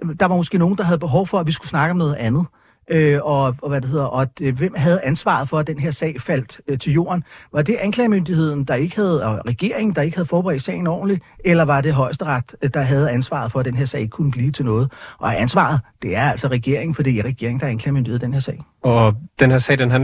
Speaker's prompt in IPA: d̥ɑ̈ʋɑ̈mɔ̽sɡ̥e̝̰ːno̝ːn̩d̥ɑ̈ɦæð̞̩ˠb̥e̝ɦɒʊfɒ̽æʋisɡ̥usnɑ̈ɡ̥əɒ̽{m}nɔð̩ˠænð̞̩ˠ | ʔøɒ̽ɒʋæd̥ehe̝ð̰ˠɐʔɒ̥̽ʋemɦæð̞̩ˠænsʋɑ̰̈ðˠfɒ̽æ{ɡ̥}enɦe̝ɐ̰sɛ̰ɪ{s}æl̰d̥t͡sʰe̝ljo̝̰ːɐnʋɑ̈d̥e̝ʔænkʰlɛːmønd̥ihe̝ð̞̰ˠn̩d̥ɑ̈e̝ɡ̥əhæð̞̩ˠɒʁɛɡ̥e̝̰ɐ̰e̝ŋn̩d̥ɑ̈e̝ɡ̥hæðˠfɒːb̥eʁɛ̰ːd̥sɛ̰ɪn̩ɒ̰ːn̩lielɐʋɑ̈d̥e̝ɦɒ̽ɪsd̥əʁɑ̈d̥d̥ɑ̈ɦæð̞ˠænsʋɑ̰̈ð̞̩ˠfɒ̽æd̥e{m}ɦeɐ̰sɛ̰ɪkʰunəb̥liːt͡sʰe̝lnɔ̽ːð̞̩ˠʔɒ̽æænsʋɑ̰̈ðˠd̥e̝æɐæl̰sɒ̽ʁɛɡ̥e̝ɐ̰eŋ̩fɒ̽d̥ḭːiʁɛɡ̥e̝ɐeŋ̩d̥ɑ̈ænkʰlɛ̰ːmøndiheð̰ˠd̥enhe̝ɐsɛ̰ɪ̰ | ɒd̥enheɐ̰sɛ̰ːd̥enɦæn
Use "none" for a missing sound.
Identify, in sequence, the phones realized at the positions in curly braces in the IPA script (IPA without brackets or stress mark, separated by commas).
m, d̥, f, n